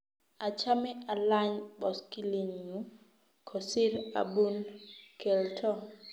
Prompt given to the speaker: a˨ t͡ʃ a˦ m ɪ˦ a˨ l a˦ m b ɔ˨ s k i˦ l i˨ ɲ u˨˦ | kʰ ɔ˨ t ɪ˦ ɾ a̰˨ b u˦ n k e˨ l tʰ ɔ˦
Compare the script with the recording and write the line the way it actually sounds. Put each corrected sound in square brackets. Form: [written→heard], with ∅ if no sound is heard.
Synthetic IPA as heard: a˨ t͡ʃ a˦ m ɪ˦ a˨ l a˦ [m→ɲ] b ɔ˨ s k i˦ l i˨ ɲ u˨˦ | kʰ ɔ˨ [t→s] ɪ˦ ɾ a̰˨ b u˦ n k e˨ l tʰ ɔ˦